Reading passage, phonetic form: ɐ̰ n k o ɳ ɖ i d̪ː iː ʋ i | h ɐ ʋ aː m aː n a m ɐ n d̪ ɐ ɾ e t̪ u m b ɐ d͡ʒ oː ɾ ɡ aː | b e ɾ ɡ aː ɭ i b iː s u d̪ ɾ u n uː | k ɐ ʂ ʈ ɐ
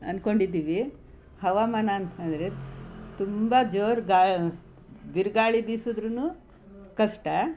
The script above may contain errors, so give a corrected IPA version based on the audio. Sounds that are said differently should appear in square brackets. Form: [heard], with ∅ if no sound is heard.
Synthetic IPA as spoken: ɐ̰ n k o ɳ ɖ i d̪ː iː ʋ i | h ɐ ʋ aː m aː n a [n] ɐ n d̪ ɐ ɾ e t̪ u m b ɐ d͡ʒ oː ɾ ɡ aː | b [i] ɾ ɡ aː ɭ i b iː s u d̪ ɾ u n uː | k ɐ ʂ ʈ ɐ

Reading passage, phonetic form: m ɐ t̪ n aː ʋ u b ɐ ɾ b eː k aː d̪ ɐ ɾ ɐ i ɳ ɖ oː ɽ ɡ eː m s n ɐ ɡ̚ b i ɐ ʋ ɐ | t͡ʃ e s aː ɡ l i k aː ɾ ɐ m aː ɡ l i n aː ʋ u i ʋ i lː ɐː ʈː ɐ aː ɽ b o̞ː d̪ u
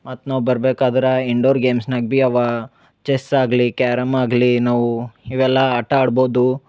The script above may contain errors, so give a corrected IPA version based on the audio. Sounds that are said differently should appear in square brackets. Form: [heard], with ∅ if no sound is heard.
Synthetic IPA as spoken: m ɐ t̪ n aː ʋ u b ɐ ɾ b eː k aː d̪ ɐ ɾ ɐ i ɳ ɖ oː [ɾ] ɡ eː m s n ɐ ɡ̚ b i ɐ ʋ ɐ | t͡ʃ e s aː ɡ l i k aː ɾ ɐ m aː ɡ l i n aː ʋ u i ʋ [ɛ] lː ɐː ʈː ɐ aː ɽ b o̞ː d̪ u

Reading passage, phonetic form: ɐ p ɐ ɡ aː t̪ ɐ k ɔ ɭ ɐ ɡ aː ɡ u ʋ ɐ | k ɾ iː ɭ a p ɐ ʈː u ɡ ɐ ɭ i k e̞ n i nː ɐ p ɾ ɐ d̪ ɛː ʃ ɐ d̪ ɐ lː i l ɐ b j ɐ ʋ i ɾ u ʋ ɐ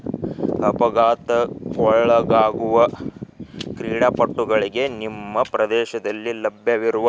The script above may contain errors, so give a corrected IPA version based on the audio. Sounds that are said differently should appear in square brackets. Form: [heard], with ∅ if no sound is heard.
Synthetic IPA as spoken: ɐ p ɐ ɡ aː t̪ ɐ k ɔ ɭ ɐ ɡ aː ɡ u ʋ ɐ | k ɾ iː [ɽ] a p ɐ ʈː u ɡ ɐ ɭ i [ɡ] e̞ n i [mː] ɐ p ɾ ɐ d̪ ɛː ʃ ɐ d̪ ɐ lː i l ɐ b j ɐ ʋ i ɾ u ʋ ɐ

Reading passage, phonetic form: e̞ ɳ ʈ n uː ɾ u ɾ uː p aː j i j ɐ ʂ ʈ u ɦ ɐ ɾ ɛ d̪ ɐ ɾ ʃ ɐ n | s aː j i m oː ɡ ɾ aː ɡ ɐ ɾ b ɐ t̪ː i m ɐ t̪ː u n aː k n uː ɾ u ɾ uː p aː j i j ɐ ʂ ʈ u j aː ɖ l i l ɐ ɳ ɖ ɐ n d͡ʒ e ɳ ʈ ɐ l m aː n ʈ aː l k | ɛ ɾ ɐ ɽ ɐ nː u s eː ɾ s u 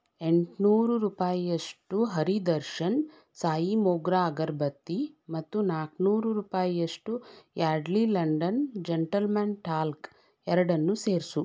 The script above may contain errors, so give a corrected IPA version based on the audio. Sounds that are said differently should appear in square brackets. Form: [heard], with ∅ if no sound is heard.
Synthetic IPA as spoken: e̞ ɳ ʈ n uː ɾ u ɾ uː p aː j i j ɐ ʂ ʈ u ɦ ɐ ɾ [i] d̪ ɐ ɾ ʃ ɐ n | s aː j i m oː ɡ ɾ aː ɡ ɐ ɾ b ɐ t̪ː i m ɐ t̪ː u n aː k n uː ɾ u ɾ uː p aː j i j ɐ ʂ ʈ u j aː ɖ l i l ɐ ɳ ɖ ɐ n d͡ʒ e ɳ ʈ ɐ l m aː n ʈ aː l k | ɛ ɾ ɐ ɽ ɐ nː u s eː ɾ s u

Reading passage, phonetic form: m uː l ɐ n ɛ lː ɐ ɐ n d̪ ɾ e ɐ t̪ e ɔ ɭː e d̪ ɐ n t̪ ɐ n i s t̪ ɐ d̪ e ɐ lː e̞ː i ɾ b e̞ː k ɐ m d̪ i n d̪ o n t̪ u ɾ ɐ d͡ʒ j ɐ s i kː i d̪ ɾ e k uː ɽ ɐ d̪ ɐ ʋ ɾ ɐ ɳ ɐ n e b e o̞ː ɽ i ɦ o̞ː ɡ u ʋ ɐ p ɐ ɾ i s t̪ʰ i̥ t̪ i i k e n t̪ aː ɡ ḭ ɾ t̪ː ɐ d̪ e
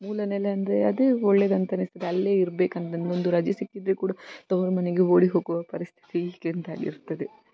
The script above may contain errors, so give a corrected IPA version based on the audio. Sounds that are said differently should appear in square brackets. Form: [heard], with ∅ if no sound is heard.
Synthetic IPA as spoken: m uː l ɐ n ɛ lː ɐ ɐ n d̪ ɾ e ɐ [d̪] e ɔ ɭː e d̪ ɐ n t̪ ɐ n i s t̪ ɐ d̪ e ɐ lː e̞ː i ɾ b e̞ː k ɐ [n] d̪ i n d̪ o n [d̪] u ɾ ɐ d͡ʒ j ɐ s i kː i d̪ ɾ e k uː ɽ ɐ [t̪] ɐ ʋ ɾ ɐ [m] ɐ n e [ɡ] e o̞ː ɽ i ɦ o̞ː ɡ u ʋ ɐ p ɐ ɾ i s t̪ʰ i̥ t̪ i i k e n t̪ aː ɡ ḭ ɾ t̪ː ɐ d̪ e

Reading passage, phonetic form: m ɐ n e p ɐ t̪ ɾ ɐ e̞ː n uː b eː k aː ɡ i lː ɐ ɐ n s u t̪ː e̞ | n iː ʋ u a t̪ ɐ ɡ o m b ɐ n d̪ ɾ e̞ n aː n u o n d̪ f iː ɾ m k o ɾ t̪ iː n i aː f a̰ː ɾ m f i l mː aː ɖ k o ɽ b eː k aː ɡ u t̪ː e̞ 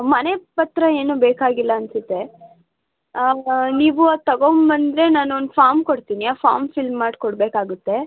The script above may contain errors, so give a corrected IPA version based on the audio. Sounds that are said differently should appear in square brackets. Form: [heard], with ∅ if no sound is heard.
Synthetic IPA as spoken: m ɐ n e p ɐ t̪ ɾ ɐ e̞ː n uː b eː k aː ɡ i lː ɐ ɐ n s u t̪ː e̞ | n iː ʋ u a t̪ ɐ ɡ o m b ɐ n d̪ ɾ e̞ n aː n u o n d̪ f [aː] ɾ m k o [ɽ] t̪ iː n i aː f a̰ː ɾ m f i l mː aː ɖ k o ɽ b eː k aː ɡ u t̪ː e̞

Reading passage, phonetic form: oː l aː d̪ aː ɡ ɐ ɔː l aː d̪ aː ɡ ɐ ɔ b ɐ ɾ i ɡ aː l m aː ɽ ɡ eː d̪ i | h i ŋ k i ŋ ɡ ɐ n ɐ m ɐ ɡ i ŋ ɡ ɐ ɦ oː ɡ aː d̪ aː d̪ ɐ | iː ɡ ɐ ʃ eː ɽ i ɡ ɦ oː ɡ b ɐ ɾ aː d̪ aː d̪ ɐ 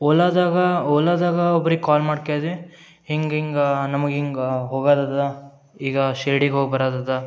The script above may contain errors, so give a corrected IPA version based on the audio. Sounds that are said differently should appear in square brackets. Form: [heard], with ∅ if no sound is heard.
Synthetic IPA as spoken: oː l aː d̪ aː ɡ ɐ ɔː l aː d̪ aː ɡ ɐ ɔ b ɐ ɾ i [k] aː l m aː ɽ [k] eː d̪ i | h i ŋ [ɡ] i ŋ ɡ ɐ n ɐ m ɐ ɡ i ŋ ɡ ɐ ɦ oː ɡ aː d̪ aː d̪ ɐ | iː ɡ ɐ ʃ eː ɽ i ɡ ɦ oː ɡ b ɐ ɾ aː d̪ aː d̪ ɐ

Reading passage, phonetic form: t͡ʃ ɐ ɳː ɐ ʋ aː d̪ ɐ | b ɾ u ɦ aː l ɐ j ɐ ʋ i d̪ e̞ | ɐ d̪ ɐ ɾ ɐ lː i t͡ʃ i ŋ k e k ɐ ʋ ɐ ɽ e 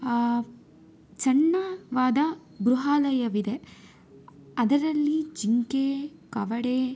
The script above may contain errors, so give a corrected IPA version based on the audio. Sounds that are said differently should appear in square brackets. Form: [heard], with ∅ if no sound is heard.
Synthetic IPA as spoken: t͡ʃ ɐ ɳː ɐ ʋ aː d̪ ɐ | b ɾ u ɦ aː l ɐ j ɐ ʋ i d̪ e̞ | ɐ d̪ ɐ ɾ ɐ lː i t͡ʃ i ŋ k e k ɐ ʋ ɐ ɽ e

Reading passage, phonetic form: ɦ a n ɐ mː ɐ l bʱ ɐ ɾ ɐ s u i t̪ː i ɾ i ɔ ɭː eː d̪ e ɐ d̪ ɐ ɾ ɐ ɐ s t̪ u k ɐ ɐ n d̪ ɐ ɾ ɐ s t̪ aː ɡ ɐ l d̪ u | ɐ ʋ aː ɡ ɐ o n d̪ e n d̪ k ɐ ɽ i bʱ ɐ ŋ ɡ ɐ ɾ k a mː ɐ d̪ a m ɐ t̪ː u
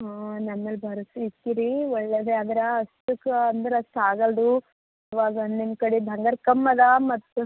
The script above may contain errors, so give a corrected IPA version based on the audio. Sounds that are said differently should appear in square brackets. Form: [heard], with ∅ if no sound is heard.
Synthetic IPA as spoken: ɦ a n ɐ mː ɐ l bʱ ɐ ɾ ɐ s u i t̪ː i ɾ i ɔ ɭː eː d̪ e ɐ d̪ ɐ ɾ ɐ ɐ s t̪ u k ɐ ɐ n d̪ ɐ ɾ ɐ s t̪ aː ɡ ɐ l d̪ u | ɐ ʋ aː ɡ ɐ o n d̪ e n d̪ k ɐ ɽ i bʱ ɐ ŋ ɡ ɐ ɾ k [ɐ] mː ɐ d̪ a m ɐ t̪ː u

